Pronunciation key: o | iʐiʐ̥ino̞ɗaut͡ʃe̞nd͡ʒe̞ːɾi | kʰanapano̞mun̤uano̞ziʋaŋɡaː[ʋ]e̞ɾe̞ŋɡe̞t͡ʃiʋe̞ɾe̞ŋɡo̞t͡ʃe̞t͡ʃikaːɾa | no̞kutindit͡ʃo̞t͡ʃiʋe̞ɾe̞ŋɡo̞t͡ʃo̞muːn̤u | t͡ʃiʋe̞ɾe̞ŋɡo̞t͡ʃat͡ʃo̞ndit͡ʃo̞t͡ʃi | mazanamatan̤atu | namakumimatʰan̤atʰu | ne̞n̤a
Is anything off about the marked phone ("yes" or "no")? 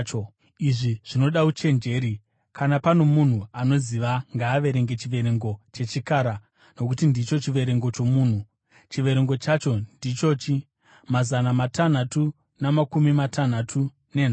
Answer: no